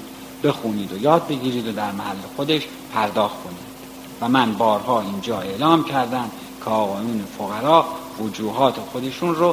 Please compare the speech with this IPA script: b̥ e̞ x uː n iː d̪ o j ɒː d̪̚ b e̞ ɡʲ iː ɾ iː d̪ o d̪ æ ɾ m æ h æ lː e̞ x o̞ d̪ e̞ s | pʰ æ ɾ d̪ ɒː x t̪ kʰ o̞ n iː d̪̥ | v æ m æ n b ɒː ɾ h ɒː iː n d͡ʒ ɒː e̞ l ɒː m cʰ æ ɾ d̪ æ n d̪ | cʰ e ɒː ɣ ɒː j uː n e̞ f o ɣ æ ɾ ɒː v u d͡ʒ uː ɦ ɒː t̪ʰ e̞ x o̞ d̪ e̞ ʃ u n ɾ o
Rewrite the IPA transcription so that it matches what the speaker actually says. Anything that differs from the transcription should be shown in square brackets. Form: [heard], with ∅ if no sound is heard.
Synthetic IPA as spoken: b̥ e̞ x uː n iː d̪ o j ɒː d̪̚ b e̞ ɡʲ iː ɾ iː d̪ o d̪ æ ɾ m æ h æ lː e̞ x o̞ d̪ e̞ [ʃ] | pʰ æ ɾ d̪ ɒː x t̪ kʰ o̞ n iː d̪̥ | v æ m æ n b ɒː ɾ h ɒː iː n d͡ʒ ɒː e̞ l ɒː m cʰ æ ɾ d̪ æ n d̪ | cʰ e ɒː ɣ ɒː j uː n e̞ f o ɣ æ ɾ ɒː v [o] d͡ʒ uː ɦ ɒː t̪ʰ e̞ x o̞ d̪ e̞ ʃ u n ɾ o